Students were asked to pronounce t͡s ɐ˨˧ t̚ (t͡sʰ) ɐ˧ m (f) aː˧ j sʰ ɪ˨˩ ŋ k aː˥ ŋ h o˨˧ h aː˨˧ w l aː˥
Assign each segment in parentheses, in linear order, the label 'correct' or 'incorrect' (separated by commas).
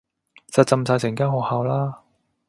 incorrect, incorrect